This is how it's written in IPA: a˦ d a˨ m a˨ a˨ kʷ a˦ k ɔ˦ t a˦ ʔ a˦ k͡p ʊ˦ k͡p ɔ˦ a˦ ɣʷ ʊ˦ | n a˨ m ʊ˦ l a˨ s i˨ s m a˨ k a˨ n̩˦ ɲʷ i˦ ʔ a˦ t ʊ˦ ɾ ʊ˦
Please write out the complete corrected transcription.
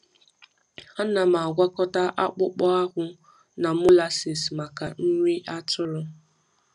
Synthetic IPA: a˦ n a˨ m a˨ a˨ ɡʷ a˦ k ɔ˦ t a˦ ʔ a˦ k͡p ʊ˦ k͡p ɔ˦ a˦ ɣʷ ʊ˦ | n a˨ m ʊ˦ l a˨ s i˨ s m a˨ k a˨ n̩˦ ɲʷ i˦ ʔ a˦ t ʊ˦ ɾ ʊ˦